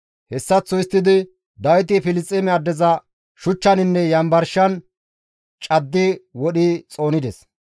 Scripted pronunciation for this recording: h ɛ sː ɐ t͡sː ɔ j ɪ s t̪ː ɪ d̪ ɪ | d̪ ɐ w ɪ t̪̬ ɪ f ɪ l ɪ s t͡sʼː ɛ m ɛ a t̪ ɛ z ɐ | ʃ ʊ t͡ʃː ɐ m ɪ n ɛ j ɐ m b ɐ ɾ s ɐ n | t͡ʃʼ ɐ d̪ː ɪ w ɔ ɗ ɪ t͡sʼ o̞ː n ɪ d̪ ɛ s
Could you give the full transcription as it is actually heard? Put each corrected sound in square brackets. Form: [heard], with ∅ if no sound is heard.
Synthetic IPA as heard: h ɛ sː ɐ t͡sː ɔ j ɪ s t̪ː ɪ d̪ ɪ | d̪ ɐ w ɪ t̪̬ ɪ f ɪ l ɪ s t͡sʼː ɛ m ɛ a [d̪] ɛ z ɐ | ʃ ʊ t͡ʃː ɐ [n] ɪ [nː] ɛ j ɐ m b ɐ ɾ [ʃ] ɐ n | t͡ʃʼ ɐ d̪ː ɪ w ɔ ɗ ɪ t͡sʼ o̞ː n ɪ d̪ ɛ s